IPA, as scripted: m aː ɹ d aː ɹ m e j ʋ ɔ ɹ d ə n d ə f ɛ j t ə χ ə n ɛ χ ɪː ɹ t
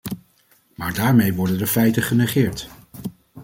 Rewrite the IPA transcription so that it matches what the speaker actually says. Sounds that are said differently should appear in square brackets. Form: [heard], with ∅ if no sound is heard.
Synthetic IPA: m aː ɹ d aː ɹ m e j ʋ ɔ ɹ d ə n d ə f ɛ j t ə χ ə n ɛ χ ɪː ɹ t